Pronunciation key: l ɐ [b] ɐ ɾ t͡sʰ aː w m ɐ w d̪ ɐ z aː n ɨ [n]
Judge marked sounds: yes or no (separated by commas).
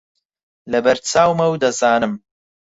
yes, no